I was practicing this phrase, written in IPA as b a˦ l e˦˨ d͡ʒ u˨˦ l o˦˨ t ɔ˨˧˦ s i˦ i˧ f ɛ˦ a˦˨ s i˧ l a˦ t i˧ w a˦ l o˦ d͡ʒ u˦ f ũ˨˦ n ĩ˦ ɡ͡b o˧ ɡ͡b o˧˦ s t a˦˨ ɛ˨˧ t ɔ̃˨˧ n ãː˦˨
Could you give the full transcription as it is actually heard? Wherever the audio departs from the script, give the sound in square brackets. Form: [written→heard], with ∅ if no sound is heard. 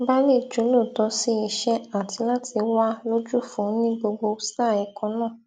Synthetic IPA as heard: b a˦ l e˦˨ d͡ʒ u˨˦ l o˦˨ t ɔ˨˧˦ s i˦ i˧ [f→ʃ] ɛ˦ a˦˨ [s→t] i˧ l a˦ t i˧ w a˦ l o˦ d͡ʒ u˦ f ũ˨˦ n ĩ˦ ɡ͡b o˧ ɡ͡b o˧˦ s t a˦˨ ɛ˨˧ [t→k] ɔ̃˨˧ n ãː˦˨